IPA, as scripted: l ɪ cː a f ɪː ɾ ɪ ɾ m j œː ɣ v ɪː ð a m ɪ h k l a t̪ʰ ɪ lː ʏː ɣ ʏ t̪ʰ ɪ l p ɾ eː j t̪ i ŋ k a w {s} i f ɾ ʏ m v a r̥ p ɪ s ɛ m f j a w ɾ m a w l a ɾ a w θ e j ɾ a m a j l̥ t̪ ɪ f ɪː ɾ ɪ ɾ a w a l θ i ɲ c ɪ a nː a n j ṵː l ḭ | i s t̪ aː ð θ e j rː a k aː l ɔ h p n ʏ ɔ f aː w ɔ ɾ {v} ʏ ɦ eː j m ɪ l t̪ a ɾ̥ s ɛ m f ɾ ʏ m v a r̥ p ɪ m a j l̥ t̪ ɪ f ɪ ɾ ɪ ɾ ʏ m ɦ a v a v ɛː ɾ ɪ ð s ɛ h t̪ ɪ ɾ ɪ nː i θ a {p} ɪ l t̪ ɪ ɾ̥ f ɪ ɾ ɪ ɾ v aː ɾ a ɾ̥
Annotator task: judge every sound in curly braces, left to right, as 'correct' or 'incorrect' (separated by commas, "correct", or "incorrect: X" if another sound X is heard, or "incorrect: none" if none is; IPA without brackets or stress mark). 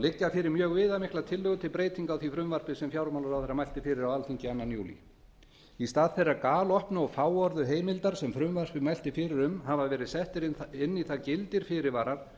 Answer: incorrect: θ, incorrect: ð, incorrect: c